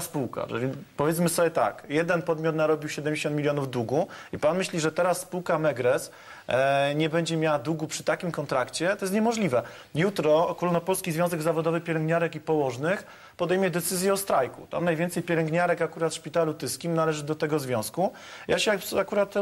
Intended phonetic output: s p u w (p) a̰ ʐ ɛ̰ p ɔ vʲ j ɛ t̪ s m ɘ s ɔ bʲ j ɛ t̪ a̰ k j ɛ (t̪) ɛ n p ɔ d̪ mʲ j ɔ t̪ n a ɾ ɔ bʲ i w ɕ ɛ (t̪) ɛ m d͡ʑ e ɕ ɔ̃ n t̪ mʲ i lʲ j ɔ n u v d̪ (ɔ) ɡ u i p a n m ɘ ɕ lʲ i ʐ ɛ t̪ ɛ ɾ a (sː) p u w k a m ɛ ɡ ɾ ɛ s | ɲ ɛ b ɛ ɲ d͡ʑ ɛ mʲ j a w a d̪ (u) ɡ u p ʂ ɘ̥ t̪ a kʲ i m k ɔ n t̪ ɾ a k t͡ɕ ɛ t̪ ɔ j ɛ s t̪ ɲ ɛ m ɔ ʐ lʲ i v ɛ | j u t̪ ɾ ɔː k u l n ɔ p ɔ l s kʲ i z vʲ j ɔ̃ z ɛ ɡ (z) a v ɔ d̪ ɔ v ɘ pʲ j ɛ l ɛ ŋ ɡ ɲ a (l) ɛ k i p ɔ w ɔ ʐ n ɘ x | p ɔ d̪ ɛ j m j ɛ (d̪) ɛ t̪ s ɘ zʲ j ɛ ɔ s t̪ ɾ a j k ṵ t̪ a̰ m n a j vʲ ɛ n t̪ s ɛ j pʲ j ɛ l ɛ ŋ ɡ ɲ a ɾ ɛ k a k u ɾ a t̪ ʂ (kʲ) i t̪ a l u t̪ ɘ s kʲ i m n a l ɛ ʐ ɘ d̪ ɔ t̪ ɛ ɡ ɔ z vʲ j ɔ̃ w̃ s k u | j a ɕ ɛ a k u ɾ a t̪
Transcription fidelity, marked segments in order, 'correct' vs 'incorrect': incorrect, incorrect, incorrect, incorrect, correct, correct, correct, incorrect, correct, incorrect

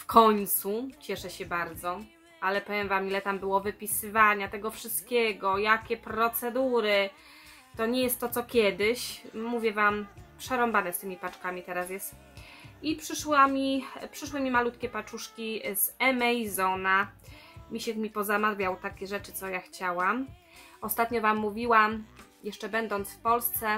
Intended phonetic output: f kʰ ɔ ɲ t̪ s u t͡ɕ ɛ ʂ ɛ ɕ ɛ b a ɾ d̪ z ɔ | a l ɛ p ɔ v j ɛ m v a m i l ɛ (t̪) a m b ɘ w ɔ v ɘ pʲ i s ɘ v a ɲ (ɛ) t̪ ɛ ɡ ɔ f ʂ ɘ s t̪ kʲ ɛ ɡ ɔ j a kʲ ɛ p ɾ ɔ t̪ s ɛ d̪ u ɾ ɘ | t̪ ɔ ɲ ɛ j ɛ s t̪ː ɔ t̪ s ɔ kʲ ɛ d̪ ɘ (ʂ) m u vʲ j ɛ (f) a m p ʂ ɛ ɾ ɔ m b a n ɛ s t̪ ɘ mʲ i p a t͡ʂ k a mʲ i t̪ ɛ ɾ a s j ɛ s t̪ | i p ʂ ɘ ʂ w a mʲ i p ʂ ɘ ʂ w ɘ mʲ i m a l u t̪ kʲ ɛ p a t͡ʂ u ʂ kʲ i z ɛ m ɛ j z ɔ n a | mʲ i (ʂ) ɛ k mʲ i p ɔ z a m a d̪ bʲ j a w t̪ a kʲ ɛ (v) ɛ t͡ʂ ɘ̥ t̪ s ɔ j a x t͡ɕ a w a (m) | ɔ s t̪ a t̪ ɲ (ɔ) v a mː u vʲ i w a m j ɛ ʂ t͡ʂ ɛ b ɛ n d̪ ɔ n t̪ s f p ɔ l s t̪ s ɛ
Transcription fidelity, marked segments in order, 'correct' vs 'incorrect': correct, incorrect, incorrect, incorrect, incorrect, incorrect, correct, correct

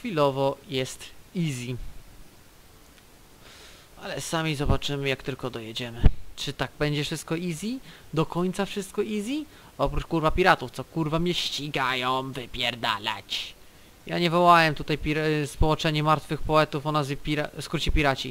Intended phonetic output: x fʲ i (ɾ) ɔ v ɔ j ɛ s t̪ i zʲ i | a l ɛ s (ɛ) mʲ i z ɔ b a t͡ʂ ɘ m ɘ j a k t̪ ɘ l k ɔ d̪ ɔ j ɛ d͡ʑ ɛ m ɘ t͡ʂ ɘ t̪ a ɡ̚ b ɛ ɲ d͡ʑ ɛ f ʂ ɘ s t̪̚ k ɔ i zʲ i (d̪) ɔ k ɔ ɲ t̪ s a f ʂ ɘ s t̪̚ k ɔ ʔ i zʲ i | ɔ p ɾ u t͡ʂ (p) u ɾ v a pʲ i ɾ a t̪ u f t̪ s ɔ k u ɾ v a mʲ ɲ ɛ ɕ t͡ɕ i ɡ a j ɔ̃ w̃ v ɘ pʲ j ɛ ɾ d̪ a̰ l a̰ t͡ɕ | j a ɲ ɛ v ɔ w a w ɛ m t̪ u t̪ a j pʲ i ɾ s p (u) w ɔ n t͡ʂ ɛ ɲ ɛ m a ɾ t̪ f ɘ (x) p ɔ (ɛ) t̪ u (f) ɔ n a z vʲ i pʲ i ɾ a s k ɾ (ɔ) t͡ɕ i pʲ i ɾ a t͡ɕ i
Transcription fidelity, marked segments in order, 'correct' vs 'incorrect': incorrect, incorrect, correct, incorrect, incorrect, correct, correct, correct, incorrect

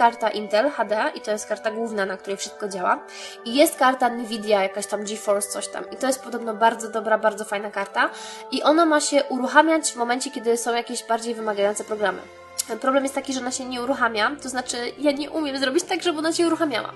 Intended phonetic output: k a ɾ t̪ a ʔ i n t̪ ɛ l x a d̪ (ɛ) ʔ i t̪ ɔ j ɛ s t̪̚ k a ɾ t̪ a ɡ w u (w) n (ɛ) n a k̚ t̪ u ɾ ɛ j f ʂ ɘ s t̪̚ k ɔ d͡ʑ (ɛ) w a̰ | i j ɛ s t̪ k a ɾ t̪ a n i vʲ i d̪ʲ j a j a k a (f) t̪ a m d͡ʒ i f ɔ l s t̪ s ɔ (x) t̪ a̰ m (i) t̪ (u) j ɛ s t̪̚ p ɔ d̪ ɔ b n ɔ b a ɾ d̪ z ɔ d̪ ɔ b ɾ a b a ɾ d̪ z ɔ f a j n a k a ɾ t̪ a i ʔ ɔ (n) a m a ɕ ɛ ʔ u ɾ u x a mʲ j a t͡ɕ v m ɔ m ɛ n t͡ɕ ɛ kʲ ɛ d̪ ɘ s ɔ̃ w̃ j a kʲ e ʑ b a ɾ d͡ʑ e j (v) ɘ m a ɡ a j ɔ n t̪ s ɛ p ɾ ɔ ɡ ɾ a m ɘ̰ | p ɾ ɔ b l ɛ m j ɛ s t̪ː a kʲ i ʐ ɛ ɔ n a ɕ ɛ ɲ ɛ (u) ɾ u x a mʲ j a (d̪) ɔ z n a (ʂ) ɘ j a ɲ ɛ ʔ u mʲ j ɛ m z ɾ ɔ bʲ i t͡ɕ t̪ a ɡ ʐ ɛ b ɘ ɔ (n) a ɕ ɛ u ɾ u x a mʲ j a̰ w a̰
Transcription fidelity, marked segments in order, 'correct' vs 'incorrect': correct, incorrect, incorrect, incorrect, incorrect, incorrect, correct, incorrect, correct, correct, correct, incorrect, incorrect, correct

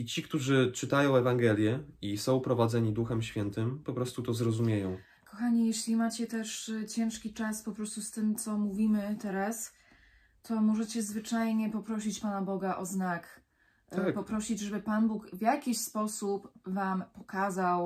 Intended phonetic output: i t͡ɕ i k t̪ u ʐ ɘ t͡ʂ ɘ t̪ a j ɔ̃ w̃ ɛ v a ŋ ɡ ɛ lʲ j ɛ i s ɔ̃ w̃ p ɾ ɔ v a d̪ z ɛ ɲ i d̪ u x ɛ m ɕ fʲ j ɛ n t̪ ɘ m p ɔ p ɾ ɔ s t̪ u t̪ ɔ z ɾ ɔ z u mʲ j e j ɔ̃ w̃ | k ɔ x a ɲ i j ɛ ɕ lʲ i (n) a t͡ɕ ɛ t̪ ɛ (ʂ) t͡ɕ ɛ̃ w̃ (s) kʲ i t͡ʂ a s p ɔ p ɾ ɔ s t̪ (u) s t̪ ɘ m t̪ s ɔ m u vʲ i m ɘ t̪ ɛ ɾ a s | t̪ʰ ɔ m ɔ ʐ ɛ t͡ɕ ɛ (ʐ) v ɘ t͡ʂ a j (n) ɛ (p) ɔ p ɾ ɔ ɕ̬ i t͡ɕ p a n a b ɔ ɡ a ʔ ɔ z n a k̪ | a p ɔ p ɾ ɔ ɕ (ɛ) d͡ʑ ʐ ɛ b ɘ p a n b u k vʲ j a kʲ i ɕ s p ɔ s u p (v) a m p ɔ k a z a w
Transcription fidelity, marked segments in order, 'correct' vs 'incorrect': incorrect, correct, incorrect, correct, incorrect, incorrect, correct, incorrect, correct

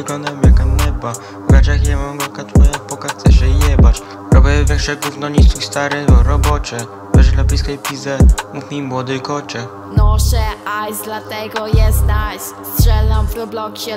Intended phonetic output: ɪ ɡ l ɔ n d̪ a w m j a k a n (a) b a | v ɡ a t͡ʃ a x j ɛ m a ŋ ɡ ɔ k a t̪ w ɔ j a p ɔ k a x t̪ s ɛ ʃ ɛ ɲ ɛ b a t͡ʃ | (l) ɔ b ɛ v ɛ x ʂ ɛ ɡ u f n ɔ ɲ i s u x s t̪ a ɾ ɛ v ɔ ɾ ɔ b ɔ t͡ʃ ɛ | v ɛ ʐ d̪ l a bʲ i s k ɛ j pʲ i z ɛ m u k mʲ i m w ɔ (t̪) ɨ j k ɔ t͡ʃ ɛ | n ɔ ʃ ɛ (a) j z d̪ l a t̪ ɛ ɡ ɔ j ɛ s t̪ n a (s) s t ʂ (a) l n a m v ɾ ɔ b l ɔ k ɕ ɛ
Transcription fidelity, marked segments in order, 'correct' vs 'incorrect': incorrect, incorrect, incorrect, correct, correct, incorrect

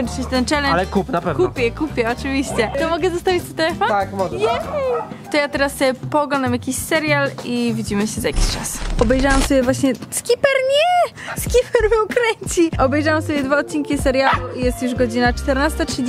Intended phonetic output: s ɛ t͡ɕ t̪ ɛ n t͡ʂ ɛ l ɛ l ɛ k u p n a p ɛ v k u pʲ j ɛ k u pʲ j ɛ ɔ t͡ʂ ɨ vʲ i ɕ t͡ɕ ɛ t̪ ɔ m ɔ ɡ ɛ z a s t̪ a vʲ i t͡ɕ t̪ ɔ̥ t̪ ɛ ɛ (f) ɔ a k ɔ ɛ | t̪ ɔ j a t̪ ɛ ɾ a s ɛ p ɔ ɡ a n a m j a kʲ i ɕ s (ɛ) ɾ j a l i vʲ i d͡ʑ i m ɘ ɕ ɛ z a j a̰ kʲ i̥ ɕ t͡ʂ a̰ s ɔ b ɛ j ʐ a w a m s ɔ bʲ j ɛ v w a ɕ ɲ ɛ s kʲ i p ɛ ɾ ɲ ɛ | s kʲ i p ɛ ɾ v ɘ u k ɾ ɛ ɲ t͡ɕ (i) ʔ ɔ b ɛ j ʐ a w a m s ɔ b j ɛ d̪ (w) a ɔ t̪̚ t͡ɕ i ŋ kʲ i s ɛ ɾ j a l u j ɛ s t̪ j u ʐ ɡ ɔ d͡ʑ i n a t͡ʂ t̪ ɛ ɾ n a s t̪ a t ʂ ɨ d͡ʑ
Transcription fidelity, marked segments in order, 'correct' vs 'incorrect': correct, correct, correct, incorrect

